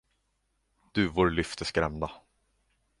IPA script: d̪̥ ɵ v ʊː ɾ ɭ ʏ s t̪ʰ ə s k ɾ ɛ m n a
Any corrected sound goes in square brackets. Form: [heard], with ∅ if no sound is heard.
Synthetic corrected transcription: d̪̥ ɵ v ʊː ɾ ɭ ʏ [f] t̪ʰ ə s k ɾ ɛ m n a